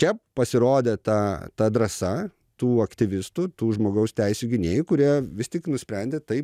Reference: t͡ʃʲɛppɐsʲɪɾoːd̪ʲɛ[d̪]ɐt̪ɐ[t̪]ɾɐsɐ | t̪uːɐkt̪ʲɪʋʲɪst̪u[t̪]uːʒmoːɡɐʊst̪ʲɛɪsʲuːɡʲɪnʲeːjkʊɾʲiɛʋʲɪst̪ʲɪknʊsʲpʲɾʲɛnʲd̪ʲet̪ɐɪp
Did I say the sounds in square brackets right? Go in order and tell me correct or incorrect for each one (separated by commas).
incorrect, incorrect, correct